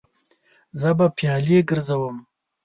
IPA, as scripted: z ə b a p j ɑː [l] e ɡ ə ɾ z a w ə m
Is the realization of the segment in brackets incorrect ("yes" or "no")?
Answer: no